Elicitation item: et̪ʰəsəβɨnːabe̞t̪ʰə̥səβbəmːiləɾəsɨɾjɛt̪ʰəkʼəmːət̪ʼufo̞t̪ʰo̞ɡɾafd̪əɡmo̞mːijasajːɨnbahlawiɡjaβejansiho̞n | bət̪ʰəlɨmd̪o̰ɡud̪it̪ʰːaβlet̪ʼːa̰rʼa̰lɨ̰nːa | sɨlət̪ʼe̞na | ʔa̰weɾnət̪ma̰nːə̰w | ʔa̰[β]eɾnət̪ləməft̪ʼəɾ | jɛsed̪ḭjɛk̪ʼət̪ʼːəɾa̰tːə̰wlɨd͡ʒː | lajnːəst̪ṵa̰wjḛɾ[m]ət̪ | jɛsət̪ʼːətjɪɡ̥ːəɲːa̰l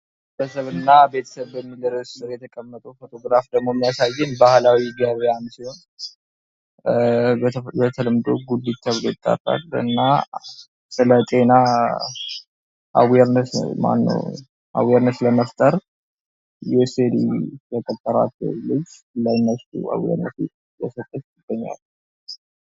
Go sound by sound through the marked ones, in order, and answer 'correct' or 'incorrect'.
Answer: incorrect, incorrect

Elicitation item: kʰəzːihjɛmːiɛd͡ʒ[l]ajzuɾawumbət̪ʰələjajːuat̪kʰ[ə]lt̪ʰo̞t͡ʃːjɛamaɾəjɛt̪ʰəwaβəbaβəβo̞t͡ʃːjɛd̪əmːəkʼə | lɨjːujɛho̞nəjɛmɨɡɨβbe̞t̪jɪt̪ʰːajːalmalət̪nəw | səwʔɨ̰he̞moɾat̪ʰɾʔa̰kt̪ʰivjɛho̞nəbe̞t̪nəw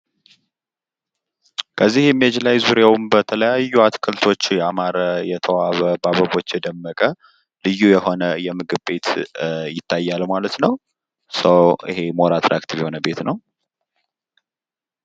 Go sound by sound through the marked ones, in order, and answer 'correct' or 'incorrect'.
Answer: correct, correct

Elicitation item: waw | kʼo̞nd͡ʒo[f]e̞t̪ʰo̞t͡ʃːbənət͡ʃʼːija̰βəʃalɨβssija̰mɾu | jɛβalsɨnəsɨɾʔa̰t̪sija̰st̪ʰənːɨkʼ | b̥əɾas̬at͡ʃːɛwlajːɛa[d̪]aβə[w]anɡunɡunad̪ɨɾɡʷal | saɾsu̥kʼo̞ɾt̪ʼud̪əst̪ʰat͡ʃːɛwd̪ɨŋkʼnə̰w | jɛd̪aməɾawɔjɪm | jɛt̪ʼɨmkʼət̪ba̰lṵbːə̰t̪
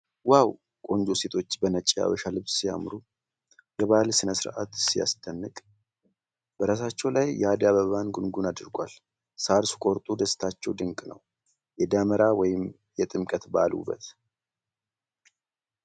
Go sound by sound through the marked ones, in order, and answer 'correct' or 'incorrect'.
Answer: incorrect, correct, incorrect

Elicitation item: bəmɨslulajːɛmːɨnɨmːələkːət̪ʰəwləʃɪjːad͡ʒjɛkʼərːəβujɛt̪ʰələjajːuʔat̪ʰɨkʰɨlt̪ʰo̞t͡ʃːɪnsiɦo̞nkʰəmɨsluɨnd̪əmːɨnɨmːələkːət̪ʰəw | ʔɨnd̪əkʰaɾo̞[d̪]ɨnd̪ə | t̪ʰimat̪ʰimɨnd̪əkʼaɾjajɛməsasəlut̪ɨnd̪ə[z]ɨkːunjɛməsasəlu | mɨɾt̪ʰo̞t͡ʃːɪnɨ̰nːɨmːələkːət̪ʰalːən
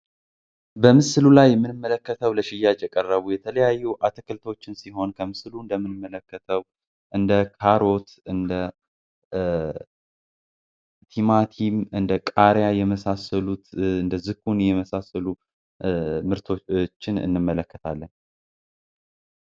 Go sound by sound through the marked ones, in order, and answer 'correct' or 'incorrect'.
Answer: incorrect, correct

